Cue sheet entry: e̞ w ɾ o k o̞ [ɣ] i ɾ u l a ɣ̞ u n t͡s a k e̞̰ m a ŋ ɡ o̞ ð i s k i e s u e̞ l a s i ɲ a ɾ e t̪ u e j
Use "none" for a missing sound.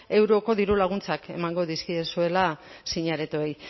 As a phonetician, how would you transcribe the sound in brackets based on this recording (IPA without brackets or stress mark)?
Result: ð